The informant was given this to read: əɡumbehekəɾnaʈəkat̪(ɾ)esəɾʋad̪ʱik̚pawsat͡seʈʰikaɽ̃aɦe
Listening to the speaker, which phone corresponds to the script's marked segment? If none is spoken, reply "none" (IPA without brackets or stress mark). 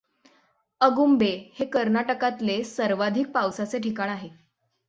l